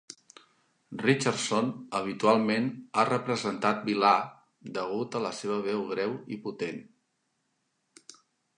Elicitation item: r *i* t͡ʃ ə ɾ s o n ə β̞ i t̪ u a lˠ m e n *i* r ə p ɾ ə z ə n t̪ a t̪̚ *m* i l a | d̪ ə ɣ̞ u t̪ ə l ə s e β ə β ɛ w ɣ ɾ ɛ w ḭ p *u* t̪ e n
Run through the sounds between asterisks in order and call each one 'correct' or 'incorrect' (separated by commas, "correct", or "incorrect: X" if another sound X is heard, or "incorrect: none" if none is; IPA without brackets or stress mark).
correct, incorrect: a, incorrect: b, correct